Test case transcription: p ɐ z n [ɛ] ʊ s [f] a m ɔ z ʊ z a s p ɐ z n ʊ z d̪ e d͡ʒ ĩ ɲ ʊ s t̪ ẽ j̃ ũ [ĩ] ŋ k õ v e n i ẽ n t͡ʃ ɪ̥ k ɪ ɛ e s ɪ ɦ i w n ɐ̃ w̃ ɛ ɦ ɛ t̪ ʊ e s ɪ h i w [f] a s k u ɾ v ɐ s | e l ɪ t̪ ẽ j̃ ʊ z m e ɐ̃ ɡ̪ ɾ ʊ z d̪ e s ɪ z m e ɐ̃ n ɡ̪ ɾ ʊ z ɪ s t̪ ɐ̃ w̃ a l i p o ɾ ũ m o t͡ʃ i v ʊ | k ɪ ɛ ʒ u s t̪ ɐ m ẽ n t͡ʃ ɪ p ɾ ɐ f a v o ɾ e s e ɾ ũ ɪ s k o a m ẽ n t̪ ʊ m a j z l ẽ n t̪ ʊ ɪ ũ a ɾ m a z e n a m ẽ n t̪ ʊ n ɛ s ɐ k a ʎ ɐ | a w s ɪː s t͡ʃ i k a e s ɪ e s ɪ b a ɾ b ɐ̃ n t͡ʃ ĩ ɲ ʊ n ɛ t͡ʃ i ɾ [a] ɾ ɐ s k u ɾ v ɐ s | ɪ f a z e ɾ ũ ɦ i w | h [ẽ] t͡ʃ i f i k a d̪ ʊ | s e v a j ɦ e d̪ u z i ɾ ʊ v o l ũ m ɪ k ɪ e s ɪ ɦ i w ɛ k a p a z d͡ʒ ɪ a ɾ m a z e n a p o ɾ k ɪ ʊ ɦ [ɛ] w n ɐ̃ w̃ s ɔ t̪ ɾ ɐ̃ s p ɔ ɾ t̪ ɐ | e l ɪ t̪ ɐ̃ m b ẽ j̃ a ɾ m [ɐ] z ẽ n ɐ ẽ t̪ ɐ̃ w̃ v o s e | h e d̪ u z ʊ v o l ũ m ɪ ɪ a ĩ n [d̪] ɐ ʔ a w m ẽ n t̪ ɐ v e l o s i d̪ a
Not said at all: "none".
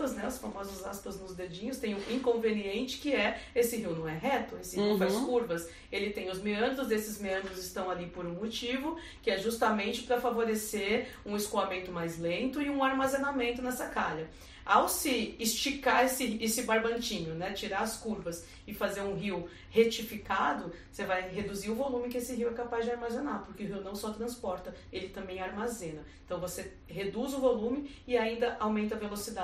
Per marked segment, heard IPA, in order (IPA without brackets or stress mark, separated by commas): ɛ, f, ĩ, f, a, e, i, a, d̪